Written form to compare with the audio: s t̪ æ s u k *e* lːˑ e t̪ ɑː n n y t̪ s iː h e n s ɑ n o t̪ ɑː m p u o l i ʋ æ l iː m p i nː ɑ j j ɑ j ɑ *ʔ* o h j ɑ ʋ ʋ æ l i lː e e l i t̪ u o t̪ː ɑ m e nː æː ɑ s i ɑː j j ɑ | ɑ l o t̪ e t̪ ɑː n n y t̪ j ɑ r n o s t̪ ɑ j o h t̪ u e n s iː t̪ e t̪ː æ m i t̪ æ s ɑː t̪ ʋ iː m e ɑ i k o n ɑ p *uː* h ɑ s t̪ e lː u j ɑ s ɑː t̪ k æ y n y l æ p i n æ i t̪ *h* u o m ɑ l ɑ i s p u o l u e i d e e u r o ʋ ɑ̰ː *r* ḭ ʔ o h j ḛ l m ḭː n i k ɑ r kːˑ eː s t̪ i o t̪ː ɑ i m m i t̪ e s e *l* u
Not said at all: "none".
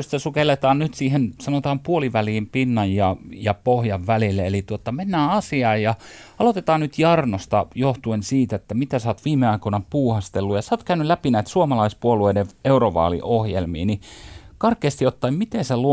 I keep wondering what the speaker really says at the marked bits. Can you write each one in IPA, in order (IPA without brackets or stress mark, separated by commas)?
e, p, uː, s, l, l